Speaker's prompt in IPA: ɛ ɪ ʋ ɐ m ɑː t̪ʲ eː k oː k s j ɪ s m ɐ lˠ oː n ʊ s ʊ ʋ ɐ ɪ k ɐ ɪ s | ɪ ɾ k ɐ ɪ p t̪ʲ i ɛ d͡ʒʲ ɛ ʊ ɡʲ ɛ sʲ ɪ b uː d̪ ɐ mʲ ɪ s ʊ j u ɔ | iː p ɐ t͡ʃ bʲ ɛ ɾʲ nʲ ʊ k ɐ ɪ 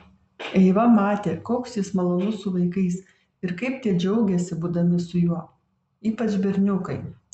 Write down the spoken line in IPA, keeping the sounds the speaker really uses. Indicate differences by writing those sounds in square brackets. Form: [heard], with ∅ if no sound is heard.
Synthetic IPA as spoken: ɛ ɪ ʋ ɐ m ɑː t̪ʲ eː k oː k s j ɪ s m ɐ lˠ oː n ʊ s ʊ ʋ ɐ ɪ k ɐ ɪ s | ɪ ɾ k ɐ ɪ p t̪ʲ i ɛ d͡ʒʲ ɛ ʊ ɡʲ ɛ sʲ ɪ b uː d̪ ɐ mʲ ɪ s ʊ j u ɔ | iː p ɐ t͡ʃ bʲ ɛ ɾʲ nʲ ʊ k ɐ ɪ